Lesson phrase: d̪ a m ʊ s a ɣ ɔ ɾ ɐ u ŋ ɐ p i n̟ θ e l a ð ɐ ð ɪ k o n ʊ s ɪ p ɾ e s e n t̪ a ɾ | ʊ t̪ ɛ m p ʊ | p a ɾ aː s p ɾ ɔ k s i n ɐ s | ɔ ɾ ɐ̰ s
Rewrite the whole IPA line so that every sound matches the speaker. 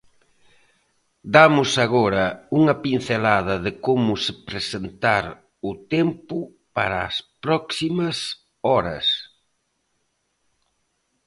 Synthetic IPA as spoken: d̪ a m ʊ s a ɣ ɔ ɾ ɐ u ŋ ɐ p i n̟ θ e l a ð ɐ ð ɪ k o m ʊ s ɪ p ɾ e s e n t̪ a ɾ | ʊ t̪ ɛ m p ʊ | p a ɾ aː s p ɾ ɔ k s i m ɐ s | ɔ ɾ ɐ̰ s

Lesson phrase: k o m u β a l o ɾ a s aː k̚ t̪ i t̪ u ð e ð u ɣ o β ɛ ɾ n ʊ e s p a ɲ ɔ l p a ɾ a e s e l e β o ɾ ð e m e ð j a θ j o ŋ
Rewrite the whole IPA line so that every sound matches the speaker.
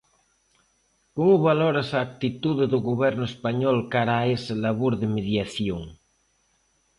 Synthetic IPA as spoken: k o m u β a l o ɾ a s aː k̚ t̪ i t̪ u ð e ð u ɣ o β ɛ ɾ n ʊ e s p a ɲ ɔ l k a ɾ a e s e l a β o ɾ ð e m e ð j a θ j o ŋ

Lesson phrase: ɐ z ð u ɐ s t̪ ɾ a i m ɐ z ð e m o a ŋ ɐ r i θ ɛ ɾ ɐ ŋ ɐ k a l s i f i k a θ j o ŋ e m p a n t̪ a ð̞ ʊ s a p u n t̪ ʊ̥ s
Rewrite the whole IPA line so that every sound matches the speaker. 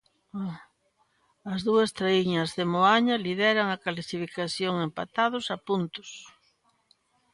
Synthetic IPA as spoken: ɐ z ð u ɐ s t̪ ɾ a i ɲ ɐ z ð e m o a ɲ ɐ l i ð ɛ ɾ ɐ ŋ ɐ k a l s i f i k a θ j o ŋ e m p a t̪ a ð̞ ʊ s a p u n t̪ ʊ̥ s

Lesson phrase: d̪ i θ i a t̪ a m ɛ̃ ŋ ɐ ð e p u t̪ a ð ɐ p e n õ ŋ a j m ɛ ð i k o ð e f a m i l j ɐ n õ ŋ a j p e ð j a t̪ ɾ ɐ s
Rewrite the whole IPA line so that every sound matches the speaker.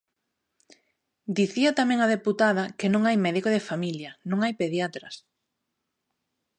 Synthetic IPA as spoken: d̪ i θ i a t̪ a m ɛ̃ ŋ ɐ ð e p u t̪ a ð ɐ k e n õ ŋ a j m ɛ ð i k o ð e f a m i l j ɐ n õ ŋ a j p e ð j a t̪ ɾ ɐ s

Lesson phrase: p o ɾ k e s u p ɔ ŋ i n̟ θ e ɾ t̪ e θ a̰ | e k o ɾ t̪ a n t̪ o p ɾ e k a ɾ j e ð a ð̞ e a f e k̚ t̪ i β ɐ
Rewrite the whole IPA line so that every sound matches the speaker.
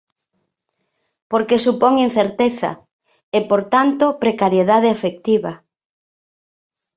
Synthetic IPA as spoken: p o ɾ k e s u p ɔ ŋ i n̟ θ e ɾ t̪ e θ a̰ | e p o ɾ t̪ a n t̪ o p ɾ e k a ɾ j e ð a ð̞ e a f e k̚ t̪ i β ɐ

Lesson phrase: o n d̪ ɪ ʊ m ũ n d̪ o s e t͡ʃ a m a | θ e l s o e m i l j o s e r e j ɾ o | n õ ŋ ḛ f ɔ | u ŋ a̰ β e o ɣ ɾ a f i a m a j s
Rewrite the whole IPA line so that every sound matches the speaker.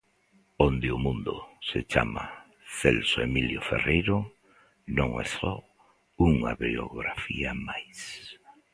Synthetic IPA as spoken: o n d̪ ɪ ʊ m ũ n d̪ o s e t͡ʃ a m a | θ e l s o e m i l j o f e r e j ɾ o | n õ ŋ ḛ s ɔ | u ŋ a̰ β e o ɣ ɾ a f i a m a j s

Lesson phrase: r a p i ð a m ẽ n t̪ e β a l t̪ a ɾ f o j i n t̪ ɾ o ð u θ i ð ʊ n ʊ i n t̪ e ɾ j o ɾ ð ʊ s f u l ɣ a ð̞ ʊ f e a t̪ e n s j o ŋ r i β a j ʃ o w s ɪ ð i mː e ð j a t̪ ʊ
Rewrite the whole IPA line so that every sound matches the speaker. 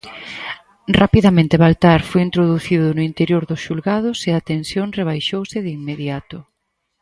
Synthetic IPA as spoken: r a p i ð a m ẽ n t̪ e β a l t̪ a ɾ f o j i n t̪ ɾ o ð u θ i ð ʊ n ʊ i n t̪ e ɾ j o ɾ ð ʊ s ʃ u l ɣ a ð̞ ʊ s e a t̪ e n s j o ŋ r e β a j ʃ o w s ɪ ð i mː e ð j a t̪ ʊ

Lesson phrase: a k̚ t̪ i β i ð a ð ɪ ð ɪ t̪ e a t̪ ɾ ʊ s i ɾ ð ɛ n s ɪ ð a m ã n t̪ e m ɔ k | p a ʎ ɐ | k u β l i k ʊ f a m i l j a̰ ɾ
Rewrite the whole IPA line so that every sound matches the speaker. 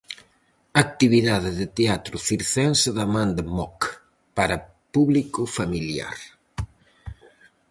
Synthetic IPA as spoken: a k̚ t̪ i β i ð a ð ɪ ð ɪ t̪ e a t̪ ɾ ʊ f i ɾ θ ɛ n s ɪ ð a m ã n d̪ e m ɔ k | p a ɾ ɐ | p u β l i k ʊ f a m i l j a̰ ɾ

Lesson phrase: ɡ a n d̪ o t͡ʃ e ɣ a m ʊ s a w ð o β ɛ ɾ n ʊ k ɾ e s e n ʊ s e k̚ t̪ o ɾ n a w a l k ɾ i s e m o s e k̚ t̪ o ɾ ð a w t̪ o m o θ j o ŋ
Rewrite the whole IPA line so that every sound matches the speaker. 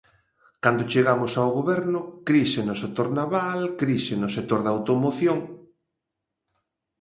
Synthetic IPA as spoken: k a n d̪ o t͡ʃ e ɣ a m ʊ s a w ɣ o β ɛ ɾ n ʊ k ɾ i s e n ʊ s e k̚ t̪ o ɾ n a β a l k ɾ i s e n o s e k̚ t̪ o ɾ ð a w t̪ o m o θ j o ŋ

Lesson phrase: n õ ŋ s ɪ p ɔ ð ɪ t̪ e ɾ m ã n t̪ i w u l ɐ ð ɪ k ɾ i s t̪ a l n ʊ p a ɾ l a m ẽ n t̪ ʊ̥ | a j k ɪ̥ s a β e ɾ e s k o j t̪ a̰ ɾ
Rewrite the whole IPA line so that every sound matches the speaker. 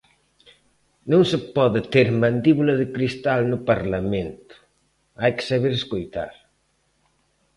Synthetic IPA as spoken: n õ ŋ s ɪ p ɔ ð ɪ t̪ e ɾ m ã n d̪ i β u l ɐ ð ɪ k ɾ i s t̪ a l n ʊ p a ɾ l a m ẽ n t̪ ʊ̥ | a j k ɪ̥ s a β e ɾ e s k o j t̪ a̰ ɾ

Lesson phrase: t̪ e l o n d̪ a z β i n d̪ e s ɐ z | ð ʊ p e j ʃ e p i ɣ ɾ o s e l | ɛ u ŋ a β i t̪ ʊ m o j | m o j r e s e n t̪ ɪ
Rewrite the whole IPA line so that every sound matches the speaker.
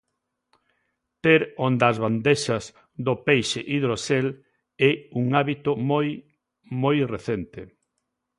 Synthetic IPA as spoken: t̪ e ɾ o n d̪ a z β a n d̪ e ʃ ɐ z | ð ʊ p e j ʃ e ʔ i ð ɾ o s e l | ɛ u ŋ a β i t̪ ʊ m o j | m o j r e θ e n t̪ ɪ

